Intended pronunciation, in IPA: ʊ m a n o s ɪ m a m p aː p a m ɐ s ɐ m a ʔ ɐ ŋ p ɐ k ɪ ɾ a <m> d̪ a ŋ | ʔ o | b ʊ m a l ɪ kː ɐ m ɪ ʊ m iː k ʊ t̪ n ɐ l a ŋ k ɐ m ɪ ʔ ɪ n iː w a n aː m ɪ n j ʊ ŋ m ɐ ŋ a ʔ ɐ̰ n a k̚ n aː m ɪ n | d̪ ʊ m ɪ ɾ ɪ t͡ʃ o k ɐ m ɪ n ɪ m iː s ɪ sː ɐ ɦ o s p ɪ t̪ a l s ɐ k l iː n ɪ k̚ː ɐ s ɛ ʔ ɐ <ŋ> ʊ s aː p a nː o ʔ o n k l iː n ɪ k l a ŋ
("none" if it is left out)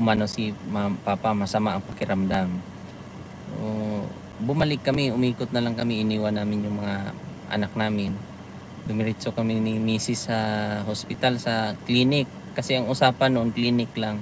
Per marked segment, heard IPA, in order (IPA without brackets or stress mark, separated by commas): m, ŋ